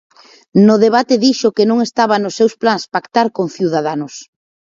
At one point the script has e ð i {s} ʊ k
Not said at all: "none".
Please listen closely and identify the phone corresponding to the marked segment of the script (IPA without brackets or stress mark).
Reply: ʃ